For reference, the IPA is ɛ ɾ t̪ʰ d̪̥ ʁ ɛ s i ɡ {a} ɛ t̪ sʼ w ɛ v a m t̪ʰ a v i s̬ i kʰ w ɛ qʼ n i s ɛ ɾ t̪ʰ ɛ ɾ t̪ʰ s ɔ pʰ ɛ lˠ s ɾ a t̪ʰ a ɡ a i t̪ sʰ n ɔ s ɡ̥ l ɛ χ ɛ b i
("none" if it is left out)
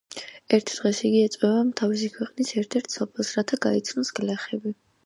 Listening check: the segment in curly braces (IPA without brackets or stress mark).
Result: i